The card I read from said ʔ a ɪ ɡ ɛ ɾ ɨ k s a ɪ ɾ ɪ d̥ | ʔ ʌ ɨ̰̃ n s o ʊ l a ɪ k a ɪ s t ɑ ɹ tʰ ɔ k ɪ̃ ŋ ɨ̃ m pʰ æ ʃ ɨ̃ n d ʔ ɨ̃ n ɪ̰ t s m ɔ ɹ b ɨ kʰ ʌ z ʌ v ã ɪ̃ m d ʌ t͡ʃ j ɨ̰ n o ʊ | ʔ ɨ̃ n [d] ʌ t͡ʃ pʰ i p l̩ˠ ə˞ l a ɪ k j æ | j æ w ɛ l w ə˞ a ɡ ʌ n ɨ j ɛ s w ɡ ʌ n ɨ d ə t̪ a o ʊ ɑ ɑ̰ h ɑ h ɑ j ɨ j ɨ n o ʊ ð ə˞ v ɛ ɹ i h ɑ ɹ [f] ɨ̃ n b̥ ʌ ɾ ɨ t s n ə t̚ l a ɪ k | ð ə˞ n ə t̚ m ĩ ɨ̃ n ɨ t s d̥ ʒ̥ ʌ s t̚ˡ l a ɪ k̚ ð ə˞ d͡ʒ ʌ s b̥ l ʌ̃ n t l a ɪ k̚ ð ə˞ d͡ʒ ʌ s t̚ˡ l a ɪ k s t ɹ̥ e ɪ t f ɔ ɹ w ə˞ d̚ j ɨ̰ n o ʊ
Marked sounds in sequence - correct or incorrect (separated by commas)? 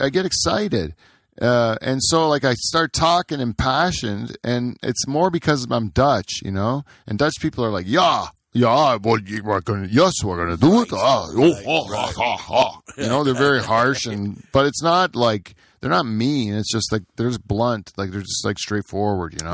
correct, incorrect